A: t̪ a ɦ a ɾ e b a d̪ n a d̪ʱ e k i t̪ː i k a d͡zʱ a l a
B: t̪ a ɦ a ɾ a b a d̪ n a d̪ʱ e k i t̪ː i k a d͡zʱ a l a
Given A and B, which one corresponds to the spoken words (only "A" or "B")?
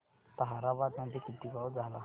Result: B